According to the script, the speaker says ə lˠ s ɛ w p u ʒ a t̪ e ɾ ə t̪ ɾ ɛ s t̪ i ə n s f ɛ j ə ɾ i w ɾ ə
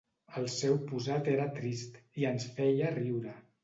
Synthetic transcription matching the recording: ə lˠ s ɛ w p u z a t̪ e ɾ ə t̪ ɾ i s t̪ i ə n s f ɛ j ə r i w ɾ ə